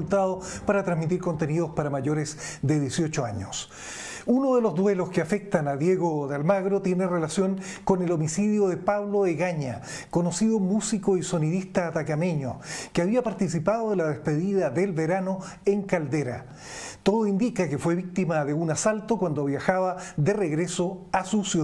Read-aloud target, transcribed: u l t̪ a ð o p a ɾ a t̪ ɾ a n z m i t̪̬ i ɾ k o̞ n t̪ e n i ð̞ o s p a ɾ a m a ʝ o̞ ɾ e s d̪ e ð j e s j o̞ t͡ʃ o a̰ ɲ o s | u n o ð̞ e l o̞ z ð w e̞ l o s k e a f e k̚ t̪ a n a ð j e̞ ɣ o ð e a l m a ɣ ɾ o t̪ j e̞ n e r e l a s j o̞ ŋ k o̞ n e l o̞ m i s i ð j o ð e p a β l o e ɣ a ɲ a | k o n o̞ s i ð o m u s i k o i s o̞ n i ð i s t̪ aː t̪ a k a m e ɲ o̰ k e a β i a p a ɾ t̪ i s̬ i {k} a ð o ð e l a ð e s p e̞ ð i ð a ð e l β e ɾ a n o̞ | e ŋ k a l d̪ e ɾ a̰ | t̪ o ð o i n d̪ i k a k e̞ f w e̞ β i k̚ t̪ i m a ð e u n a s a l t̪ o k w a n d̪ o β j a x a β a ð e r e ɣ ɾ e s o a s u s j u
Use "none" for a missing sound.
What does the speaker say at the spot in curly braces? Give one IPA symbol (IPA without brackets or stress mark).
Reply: p